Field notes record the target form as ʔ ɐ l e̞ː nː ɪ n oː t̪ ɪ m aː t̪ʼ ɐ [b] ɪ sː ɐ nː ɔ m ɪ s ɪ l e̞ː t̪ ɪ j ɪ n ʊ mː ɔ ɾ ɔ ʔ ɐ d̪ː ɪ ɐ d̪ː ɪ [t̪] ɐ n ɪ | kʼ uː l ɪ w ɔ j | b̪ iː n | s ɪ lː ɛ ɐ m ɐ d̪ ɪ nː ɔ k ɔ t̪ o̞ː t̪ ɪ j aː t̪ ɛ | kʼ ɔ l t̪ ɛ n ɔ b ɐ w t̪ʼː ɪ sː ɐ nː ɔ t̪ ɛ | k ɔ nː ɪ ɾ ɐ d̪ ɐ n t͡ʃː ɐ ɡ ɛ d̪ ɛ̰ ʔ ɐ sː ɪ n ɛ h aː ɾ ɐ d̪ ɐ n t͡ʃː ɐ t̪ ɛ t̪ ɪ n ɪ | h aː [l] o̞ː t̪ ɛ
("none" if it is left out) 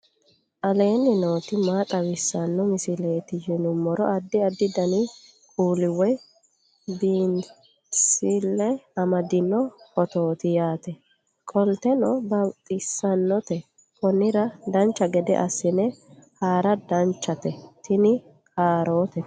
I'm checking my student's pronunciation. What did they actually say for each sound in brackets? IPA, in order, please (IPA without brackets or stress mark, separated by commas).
w, d̪, ɾ